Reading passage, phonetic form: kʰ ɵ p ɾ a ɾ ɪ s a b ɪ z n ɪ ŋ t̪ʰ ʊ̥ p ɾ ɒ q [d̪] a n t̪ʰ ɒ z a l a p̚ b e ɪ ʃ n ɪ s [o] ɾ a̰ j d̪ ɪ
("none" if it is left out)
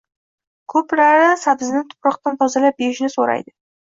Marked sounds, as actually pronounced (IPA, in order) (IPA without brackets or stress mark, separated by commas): t̪, o